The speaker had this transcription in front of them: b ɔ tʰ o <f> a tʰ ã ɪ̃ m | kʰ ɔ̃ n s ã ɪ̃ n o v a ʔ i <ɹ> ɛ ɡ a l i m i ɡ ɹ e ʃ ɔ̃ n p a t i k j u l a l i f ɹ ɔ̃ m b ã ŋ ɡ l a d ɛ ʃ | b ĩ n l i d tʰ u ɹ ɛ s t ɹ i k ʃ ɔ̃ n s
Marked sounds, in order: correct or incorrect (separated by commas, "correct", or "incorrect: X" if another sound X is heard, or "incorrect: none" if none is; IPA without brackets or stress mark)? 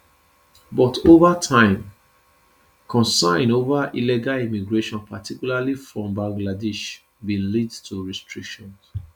incorrect: v, incorrect: l